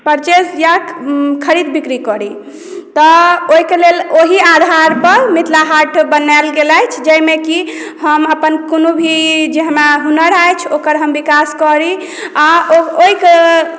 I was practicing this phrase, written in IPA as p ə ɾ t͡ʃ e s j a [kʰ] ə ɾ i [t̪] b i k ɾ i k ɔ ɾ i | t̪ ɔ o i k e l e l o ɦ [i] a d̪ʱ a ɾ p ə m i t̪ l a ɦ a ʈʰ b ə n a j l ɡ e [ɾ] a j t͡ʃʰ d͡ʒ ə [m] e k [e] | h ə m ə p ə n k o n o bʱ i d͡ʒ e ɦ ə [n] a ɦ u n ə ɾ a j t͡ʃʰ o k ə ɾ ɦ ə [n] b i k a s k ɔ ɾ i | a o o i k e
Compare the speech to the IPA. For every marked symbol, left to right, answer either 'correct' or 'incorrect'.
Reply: correct, incorrect, correct, incorrect, correct, incorrect, incorrect, incorrect

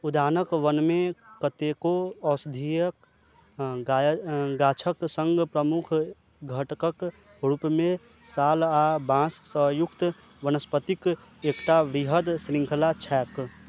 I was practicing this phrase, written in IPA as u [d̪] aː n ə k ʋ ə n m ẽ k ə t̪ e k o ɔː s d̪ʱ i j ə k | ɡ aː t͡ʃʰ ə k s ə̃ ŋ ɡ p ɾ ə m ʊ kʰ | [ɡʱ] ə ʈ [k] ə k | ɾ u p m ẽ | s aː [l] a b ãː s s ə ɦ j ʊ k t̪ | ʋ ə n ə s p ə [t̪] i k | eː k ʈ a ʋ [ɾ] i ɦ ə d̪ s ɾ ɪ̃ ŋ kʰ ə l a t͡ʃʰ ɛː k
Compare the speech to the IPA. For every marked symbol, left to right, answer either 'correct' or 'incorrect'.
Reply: correct, correct, correct, correct, correct, correct

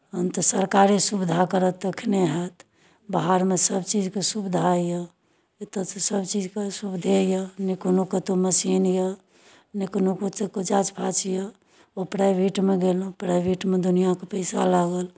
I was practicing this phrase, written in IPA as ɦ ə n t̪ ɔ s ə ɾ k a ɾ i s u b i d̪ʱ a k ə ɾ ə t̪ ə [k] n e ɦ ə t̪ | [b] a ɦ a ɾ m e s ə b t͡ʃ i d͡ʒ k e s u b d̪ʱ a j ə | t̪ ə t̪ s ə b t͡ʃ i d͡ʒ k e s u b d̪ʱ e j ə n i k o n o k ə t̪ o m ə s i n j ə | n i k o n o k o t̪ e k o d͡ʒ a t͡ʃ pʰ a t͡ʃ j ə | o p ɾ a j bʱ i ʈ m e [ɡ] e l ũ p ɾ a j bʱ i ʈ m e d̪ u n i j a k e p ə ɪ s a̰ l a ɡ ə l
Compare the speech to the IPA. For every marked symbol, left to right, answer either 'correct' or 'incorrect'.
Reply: incorrect, correct, correct

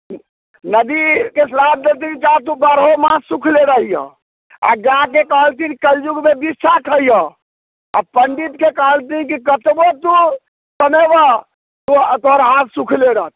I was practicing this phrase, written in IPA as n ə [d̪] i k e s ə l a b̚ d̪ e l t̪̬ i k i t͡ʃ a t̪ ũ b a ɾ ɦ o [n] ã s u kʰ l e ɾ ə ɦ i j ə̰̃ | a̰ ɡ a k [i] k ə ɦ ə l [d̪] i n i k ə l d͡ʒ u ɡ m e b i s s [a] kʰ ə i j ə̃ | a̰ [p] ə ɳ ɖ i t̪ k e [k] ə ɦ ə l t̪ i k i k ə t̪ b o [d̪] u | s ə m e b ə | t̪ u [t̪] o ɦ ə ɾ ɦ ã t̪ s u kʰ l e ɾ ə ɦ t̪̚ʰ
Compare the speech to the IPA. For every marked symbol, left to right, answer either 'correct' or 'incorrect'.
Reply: correct, incorrect, incorrect, incorrect, correct, correct, correct, incorrect, correct

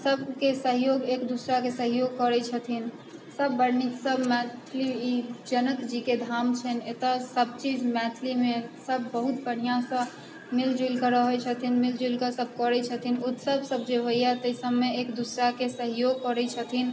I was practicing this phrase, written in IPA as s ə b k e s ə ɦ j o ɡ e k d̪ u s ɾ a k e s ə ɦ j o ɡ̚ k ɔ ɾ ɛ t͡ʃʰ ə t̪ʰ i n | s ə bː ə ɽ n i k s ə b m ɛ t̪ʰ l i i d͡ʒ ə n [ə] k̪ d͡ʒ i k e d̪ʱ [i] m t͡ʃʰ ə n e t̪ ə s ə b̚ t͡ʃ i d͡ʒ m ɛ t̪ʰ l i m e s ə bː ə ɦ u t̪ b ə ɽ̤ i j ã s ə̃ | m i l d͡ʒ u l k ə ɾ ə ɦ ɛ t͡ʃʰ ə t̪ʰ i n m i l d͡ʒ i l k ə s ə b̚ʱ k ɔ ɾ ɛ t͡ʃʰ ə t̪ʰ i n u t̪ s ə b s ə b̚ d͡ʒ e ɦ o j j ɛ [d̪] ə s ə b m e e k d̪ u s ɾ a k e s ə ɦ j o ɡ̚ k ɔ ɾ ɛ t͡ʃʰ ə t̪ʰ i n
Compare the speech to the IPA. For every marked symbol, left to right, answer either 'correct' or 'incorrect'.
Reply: correct, incorrect, incorrect

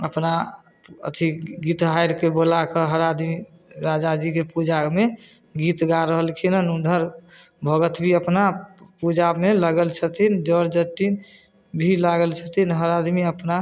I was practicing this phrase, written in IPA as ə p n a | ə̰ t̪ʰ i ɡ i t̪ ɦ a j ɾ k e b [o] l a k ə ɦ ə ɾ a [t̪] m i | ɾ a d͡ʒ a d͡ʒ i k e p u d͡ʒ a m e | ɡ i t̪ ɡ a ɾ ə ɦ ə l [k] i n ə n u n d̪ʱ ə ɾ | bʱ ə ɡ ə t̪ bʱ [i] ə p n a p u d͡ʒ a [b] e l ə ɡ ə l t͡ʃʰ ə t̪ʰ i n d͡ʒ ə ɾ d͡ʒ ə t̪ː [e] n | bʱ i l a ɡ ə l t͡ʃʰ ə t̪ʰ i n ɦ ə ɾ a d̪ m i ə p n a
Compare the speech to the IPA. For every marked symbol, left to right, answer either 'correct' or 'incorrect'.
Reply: correct, incorrect, incorrect, correct, incorrect, incorrect

